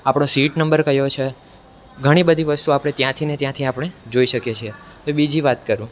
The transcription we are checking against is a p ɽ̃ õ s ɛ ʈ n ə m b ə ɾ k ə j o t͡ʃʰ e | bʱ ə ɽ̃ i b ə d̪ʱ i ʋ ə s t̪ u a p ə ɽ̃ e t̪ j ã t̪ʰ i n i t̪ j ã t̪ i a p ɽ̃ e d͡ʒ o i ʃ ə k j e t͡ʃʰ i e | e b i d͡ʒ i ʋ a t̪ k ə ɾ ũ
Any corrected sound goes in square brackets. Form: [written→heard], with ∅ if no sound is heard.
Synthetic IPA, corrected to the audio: a p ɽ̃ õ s [ɛ→i] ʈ n ə m b ə ɾ k ə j o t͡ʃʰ e | [bʱ→ɡʱ] ə ɽ̃ i b ə d̪ʱ i ʋ ə s t̪ u a p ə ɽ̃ e t̪ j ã t̪ʰ i n [i→e] t̪ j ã [t̪→t̪ʰ] i a p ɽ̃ e d͡ʒ o i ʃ ə k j e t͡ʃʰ i e | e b i d͡ʒ i ʋ a t̪ k ə ɾ ũ